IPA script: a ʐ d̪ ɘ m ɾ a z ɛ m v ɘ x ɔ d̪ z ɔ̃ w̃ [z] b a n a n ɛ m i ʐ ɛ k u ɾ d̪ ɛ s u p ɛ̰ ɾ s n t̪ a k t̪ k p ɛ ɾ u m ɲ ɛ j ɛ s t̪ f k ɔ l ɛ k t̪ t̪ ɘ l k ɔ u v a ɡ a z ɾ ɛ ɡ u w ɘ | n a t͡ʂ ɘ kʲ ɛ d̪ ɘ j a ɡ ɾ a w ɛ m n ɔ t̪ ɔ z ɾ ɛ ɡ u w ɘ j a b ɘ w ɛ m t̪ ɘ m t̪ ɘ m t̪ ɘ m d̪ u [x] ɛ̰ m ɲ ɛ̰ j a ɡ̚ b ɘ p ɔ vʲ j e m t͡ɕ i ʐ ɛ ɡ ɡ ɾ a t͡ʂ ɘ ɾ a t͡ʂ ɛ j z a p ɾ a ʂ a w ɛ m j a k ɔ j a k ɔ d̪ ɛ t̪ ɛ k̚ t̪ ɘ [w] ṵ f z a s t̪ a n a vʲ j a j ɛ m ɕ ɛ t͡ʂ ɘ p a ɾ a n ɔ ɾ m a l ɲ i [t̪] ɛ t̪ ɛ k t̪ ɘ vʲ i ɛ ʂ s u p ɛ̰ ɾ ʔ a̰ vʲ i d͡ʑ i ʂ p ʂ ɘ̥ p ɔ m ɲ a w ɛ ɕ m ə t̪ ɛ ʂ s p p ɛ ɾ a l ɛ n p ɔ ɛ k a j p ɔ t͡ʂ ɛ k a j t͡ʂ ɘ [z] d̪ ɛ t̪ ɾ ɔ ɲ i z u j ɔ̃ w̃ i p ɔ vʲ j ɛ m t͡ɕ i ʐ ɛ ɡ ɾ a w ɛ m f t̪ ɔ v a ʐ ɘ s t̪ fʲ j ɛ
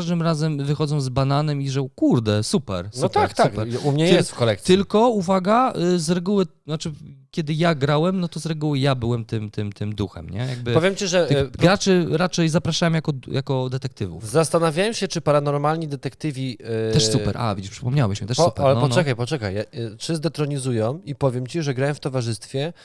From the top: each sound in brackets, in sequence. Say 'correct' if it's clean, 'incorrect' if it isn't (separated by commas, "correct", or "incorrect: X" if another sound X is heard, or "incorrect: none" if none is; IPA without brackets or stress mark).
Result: correct, correct, incorrect: v, incorrect: d̪, correct